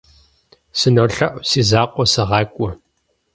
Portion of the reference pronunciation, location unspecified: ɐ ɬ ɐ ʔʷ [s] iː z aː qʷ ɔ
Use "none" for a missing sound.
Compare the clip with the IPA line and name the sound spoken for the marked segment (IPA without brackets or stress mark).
s